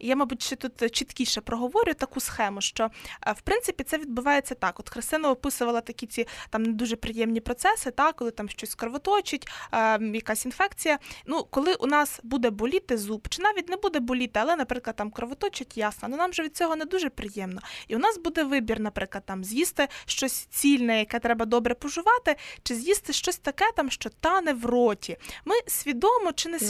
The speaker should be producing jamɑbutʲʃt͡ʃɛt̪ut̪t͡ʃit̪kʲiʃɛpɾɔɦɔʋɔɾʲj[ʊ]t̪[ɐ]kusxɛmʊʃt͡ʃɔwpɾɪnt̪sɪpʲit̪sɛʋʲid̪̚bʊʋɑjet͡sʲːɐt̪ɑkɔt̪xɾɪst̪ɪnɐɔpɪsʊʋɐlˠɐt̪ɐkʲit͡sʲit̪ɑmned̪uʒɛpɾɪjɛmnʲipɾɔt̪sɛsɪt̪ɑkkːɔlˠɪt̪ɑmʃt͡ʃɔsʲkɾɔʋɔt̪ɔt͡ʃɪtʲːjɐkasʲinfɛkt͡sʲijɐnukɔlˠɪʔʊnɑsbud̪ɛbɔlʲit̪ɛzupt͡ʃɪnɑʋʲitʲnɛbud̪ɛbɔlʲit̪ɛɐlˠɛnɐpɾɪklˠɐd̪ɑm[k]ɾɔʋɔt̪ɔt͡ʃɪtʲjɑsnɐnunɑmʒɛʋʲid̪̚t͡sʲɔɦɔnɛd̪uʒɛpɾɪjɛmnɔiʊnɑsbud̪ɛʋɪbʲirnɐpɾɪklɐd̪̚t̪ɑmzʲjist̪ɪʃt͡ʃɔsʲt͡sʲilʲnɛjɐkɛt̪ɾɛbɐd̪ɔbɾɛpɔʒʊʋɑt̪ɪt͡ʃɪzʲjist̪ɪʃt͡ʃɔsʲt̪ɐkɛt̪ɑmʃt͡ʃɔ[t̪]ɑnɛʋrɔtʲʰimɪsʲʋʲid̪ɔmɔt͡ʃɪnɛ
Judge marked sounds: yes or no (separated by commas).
yes, yes, yes, yes